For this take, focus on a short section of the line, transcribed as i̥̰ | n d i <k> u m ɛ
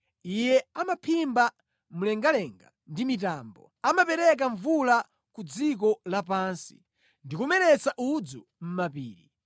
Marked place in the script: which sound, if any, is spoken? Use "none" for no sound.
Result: k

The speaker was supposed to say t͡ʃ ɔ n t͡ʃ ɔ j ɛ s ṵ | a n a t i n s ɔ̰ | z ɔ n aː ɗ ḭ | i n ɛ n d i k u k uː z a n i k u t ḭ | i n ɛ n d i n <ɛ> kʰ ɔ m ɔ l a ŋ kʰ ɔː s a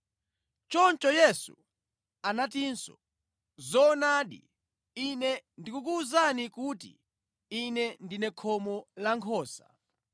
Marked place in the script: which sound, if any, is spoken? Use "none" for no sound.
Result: ɛ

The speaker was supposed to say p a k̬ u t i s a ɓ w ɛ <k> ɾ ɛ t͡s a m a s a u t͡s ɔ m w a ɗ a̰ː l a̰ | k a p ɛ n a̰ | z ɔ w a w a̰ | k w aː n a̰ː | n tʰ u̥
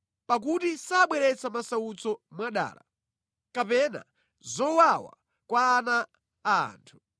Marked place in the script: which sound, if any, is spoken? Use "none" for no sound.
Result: none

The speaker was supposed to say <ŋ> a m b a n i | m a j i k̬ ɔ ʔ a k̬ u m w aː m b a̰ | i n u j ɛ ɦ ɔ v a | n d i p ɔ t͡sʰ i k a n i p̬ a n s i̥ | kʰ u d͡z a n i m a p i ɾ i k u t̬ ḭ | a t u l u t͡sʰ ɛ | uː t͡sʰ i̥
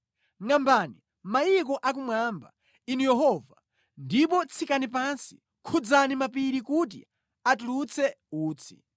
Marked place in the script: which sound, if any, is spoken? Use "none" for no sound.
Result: ŋ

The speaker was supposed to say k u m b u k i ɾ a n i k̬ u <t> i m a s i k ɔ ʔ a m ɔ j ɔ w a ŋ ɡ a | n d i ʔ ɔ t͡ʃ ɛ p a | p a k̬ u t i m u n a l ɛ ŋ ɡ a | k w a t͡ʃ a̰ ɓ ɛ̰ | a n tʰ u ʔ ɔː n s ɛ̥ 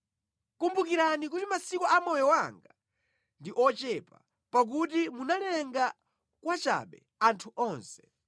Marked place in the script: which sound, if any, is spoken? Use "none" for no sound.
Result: t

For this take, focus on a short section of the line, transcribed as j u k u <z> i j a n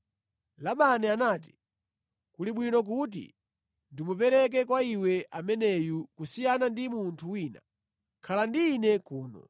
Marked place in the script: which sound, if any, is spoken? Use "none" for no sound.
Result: s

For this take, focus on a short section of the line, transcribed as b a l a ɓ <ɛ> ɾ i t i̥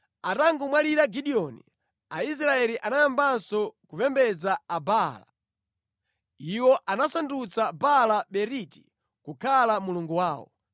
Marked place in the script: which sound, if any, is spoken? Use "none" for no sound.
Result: ɛ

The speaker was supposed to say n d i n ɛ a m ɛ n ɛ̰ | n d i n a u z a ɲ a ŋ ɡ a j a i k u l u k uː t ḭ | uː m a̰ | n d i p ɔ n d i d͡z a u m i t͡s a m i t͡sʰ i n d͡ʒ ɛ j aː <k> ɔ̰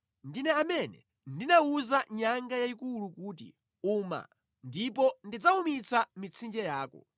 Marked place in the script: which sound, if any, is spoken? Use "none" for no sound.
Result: k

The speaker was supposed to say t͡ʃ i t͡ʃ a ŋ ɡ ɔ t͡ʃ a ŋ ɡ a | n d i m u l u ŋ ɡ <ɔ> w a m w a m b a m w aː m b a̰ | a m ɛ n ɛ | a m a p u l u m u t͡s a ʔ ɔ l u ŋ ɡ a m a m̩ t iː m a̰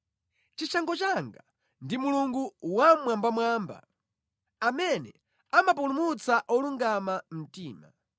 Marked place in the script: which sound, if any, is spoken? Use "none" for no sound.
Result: u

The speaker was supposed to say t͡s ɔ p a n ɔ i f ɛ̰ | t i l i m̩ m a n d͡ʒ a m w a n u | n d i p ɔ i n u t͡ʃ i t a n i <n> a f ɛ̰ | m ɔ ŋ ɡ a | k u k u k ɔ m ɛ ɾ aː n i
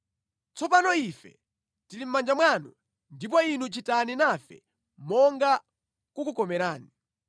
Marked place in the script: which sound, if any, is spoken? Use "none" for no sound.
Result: n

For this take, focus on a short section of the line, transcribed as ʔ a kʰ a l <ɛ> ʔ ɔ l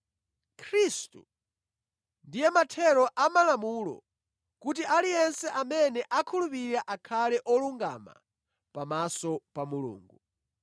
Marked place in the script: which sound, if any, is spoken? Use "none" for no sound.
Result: ɛ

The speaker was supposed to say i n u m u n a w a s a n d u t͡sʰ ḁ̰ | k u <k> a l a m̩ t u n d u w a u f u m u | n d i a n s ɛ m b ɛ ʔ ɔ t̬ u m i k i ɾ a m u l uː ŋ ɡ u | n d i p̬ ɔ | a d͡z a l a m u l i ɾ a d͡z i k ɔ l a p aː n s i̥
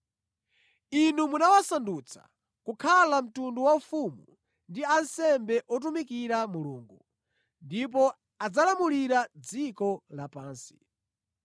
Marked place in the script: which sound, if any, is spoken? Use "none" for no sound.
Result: kʰ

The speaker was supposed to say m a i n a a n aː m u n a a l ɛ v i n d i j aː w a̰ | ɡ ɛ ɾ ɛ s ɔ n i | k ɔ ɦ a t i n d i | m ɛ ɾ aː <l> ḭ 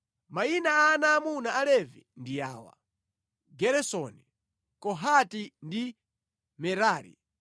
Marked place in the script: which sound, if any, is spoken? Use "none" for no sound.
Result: ɾ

